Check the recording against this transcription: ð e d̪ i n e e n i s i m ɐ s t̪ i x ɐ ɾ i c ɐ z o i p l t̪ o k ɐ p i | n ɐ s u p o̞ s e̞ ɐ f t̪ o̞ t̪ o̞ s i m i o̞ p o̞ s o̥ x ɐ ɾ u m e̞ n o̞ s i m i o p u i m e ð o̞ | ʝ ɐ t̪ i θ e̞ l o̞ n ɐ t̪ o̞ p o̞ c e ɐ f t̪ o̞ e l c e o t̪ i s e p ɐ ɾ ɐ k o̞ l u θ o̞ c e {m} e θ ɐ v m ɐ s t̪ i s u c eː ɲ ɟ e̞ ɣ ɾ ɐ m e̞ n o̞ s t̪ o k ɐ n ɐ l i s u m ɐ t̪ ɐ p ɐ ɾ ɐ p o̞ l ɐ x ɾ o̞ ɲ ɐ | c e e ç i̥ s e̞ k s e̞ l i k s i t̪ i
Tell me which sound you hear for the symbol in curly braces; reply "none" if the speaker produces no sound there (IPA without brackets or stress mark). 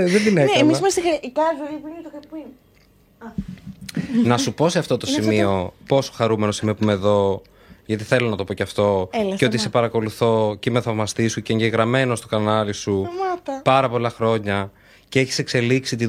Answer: m